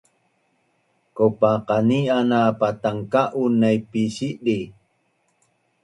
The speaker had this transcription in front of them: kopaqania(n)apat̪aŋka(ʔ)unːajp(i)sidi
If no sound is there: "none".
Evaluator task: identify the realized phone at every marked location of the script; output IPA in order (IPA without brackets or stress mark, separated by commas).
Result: n, ʔ, i